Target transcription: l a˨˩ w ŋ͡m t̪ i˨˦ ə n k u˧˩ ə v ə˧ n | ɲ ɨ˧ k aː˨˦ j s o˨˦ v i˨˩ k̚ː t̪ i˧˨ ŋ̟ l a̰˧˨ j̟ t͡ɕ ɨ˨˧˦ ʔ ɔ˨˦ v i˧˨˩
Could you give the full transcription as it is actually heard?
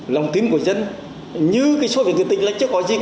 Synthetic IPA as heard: l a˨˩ w ŋ͡m t̪ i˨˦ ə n k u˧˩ ə z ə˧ n | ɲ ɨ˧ k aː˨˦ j s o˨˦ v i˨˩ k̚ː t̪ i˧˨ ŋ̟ l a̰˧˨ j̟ t͡ɕ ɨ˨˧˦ k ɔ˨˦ z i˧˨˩